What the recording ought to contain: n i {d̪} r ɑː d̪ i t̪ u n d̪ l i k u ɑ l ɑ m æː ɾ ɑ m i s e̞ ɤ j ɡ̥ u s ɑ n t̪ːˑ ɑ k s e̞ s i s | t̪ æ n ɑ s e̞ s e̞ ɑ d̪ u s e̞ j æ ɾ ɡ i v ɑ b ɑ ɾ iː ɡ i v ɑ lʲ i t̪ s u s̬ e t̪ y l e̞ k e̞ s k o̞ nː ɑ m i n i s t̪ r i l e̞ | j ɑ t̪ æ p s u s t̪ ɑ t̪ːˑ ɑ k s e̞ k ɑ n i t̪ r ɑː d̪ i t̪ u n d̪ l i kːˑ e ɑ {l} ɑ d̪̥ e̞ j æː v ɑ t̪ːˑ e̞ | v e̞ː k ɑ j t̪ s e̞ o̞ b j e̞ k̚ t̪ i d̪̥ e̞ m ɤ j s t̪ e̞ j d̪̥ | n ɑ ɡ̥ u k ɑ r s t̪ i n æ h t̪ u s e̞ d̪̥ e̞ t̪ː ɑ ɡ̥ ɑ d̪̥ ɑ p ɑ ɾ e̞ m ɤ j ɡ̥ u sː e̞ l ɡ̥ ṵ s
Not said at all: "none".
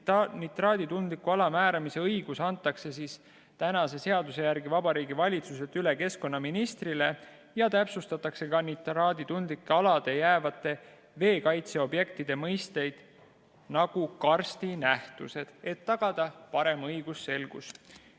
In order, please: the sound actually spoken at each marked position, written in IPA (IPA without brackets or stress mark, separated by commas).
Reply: t̪, l